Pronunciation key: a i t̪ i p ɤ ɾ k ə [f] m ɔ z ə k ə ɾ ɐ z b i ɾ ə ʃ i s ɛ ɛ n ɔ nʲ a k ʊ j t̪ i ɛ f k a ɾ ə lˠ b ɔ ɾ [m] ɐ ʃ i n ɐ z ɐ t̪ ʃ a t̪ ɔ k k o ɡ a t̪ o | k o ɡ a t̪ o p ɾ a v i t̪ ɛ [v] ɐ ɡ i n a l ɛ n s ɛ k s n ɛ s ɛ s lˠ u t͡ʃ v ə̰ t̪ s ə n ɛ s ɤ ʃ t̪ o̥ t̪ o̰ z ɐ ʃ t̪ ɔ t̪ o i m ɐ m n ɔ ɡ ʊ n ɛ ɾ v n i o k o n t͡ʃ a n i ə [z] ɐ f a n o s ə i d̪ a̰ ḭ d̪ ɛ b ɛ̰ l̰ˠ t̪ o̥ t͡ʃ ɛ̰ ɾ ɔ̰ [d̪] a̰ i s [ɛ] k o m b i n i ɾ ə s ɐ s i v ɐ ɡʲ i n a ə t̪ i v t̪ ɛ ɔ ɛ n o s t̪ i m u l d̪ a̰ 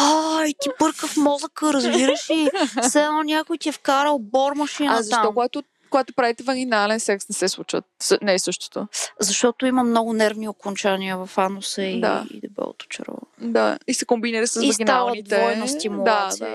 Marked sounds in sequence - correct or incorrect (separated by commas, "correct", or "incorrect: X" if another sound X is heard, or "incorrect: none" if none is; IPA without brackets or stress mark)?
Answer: correct, correct, correct, incorrect: v, correct, correct